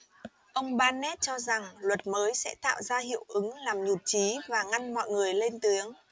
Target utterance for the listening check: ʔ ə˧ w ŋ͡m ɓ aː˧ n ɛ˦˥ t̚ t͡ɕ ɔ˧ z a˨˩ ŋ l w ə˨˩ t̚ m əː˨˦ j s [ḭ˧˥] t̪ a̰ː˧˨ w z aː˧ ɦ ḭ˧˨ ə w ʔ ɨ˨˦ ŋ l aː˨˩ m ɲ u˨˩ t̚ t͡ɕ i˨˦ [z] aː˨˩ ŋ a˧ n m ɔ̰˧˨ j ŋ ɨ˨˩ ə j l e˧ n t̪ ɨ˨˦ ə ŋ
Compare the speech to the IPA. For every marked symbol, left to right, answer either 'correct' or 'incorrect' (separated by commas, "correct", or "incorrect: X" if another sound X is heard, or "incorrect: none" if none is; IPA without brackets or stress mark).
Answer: incorrect: ɛ̰˧˥, incorrect: v